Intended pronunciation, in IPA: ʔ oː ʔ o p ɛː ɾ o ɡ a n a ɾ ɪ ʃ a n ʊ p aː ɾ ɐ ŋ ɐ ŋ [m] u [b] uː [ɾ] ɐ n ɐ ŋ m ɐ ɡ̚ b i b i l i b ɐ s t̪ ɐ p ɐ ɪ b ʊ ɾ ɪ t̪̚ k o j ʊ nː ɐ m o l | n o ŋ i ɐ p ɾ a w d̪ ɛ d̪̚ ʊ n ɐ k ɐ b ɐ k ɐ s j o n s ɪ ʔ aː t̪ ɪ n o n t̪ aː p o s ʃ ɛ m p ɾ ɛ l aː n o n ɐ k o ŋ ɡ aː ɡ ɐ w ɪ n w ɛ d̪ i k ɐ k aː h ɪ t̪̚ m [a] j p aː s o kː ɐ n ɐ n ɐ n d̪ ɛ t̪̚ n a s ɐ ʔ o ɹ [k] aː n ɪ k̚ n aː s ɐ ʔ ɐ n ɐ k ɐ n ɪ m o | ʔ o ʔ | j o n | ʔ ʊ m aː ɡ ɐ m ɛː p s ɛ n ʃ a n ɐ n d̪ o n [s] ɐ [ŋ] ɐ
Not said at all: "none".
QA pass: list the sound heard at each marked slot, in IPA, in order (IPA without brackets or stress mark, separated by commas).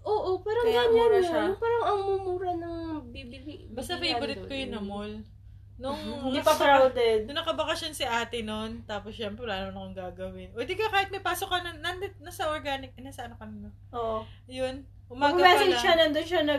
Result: m, m, ɾ, ɐ, ɡ, ʃ, n